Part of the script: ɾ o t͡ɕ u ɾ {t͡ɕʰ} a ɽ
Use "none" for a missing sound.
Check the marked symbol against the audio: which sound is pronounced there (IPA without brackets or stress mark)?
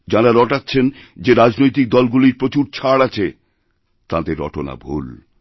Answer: t͡ɕʰ